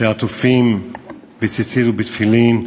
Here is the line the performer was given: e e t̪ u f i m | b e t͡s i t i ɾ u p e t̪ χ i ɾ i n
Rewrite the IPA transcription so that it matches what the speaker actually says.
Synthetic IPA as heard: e a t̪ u f i m | b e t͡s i t͡s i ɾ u b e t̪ f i l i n